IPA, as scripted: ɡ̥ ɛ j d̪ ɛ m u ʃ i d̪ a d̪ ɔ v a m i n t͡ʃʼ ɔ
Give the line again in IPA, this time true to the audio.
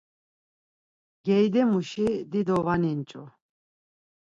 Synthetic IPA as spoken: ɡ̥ ɛ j d̪ ɛ m u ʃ i d̪ i d̪ ɔ v a n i n t͡ʃʼ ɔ